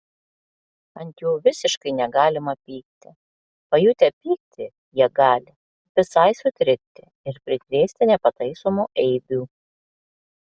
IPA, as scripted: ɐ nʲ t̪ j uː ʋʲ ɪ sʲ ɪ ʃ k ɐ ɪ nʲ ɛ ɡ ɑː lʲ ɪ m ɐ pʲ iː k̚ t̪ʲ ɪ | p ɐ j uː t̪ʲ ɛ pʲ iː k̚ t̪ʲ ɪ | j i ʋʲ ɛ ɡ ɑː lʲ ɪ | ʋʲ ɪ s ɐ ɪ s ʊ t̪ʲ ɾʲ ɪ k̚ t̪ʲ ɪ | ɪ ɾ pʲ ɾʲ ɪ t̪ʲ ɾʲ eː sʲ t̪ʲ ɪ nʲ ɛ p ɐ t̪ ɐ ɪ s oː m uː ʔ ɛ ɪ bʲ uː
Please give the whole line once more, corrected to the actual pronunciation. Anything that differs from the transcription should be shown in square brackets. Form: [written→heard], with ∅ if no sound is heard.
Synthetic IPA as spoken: ɐ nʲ t̪ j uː ʋʲ ɪ sʲ ɪ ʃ k ɐ ɪ nʲ ɛ ɡ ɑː lʲ ɪ m ɐ pʲ iː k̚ t̪ʲ ɪ | p ɐ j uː t̪ʲ ɛ pʲ iː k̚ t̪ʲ ɪ | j i [ʋʲ→∅] ɛ ɡ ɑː lʲ ɪ | ʋʲ ɪ s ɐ ɪ s ʊ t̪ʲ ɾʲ ɪ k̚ t̪ʲ ɪ | ɪ ɾ pʲ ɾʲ ɪ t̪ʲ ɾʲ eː sʲ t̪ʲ ɪ nʲ ɛ p ɐ t̪ ɐ ɪ s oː m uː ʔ ɛ ɪ bʲ uː